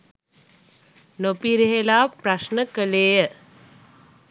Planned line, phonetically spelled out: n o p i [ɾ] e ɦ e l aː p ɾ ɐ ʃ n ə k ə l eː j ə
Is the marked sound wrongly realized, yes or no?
no